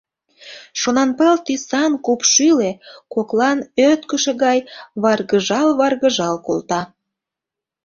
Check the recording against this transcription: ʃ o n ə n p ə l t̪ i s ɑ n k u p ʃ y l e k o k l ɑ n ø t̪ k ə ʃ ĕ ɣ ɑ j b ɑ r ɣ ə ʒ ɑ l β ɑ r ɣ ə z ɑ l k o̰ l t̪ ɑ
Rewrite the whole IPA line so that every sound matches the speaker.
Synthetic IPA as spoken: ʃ o n ɑ n p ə l t̪ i s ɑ n k u p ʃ y l e k o k l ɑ n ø t̪ k ə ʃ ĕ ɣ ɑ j β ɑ r ɣ ə ʒ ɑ l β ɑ r ɣ ə ʒ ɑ l k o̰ l t̪ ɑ